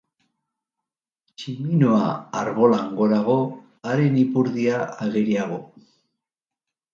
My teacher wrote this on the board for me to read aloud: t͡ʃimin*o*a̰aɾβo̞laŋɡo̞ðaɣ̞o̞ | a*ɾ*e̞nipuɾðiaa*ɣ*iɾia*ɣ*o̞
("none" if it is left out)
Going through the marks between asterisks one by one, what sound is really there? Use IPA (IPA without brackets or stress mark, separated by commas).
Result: o, ɾ, ɣ, ɣ